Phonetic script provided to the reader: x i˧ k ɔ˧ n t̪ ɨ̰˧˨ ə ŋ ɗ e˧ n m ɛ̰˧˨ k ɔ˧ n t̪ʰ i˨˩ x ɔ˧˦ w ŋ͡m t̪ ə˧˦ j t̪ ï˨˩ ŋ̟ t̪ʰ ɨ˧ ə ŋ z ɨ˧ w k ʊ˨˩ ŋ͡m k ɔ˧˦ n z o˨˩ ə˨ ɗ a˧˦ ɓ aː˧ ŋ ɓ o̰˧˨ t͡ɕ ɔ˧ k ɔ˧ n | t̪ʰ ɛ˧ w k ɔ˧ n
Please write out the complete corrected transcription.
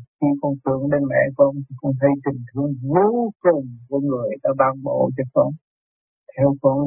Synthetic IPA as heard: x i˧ k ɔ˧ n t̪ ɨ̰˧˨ ə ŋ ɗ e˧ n m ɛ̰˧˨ k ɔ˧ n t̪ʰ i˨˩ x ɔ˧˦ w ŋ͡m t̪ʰ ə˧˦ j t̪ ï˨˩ ŋ̟ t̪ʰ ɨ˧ ə ŋ z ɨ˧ w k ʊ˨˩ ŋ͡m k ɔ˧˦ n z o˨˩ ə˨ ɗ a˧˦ ɓ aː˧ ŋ ɓ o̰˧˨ t͡ɕ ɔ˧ k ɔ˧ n | t̪ʰ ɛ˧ w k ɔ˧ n